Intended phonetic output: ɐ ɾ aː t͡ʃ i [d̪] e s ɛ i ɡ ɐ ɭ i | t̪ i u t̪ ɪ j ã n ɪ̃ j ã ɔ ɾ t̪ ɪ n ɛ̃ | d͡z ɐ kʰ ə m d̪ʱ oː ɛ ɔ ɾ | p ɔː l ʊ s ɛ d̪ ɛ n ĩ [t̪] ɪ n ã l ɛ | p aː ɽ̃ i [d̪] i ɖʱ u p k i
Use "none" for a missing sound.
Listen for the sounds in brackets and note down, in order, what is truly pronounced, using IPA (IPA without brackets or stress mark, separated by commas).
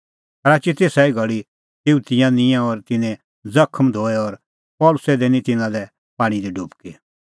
t̪, t̪, d̪